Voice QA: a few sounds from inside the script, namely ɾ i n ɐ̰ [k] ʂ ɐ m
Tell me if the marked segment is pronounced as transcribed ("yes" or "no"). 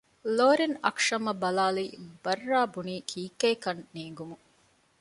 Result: yes